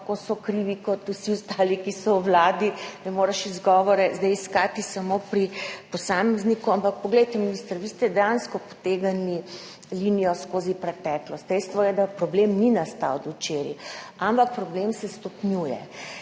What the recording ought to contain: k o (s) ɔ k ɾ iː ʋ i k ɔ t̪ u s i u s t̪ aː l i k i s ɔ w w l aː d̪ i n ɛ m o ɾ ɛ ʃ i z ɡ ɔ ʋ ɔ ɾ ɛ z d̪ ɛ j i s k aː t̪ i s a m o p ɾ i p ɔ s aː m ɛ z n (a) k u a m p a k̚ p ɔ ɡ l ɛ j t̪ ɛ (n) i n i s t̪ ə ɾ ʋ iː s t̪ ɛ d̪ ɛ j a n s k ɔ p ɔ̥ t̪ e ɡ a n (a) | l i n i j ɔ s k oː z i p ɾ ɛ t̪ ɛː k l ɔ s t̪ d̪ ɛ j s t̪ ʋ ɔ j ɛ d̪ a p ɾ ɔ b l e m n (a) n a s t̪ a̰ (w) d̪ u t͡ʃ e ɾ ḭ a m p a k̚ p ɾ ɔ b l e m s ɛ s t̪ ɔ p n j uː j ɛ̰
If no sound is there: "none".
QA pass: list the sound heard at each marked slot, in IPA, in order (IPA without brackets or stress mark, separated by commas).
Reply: s, i, m, i, i, w